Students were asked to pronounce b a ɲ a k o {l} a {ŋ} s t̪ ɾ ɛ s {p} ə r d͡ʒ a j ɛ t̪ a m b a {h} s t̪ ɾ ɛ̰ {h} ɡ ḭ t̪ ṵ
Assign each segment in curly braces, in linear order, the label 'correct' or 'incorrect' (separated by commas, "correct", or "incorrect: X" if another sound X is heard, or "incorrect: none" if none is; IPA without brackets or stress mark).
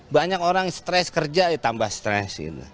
incorrect: ɾ, correct, incorrect: k, correct, incorrect: s